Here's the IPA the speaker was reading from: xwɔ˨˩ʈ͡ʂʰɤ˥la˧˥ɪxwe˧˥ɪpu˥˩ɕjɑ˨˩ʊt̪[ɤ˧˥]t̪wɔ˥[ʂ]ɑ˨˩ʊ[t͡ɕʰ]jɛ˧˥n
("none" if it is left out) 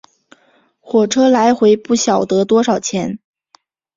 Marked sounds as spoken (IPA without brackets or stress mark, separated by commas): ɤ˧˥, ʂ, t͡ɕʰ